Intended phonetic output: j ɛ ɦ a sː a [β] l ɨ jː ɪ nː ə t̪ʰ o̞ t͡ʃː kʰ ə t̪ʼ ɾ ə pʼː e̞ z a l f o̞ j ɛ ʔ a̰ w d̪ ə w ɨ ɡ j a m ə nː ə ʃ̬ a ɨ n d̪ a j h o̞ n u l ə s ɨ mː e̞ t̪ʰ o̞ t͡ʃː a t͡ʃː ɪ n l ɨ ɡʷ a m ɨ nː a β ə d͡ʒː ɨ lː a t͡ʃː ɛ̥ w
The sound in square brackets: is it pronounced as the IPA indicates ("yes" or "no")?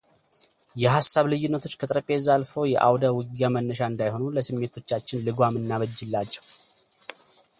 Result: yes